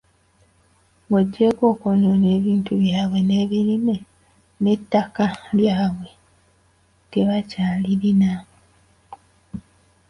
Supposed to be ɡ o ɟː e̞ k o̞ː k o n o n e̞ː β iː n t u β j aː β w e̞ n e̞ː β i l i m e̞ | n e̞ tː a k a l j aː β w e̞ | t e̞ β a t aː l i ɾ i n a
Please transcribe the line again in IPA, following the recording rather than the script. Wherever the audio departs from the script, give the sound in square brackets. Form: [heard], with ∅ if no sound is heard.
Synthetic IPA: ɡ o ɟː e̞ k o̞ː k o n o n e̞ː β iː n t u β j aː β w e̞ n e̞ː β i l i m e̞ | n e̞ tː a k a l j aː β w e̞ | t e̞ β a [c] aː l i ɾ i n a